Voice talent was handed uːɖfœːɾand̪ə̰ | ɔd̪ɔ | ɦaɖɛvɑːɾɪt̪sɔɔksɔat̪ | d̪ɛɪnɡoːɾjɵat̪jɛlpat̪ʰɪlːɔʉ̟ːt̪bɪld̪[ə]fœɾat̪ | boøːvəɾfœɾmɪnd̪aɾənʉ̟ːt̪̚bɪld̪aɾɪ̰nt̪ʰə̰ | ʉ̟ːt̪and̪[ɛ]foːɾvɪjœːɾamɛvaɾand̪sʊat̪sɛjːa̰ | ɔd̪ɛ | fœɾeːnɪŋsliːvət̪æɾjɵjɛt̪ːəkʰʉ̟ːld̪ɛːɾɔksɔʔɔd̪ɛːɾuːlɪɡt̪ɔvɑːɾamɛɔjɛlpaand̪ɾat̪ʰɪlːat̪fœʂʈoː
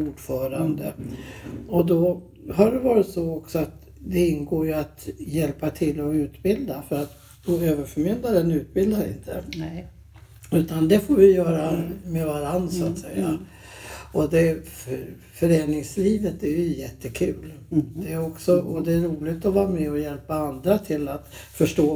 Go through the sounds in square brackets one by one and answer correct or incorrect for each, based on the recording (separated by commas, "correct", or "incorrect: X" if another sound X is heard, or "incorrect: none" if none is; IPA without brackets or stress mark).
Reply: incorrect: a, correct